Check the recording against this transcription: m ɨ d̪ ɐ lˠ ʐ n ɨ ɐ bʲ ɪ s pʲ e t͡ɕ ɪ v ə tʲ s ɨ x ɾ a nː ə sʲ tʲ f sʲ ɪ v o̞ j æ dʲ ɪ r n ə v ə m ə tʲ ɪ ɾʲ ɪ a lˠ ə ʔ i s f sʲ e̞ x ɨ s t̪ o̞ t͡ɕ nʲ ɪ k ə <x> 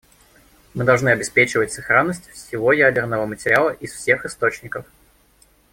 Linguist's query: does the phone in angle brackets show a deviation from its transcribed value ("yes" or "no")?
yes